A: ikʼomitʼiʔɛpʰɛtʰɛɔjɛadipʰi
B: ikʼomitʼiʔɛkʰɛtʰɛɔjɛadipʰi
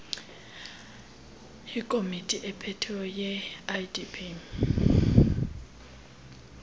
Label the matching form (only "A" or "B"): A